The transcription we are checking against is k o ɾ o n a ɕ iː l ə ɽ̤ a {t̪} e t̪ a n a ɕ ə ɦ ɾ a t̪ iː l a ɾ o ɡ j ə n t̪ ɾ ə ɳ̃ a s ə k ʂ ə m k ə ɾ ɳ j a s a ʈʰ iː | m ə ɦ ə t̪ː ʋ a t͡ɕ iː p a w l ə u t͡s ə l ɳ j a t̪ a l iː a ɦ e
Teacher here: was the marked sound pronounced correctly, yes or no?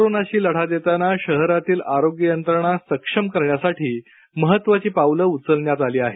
no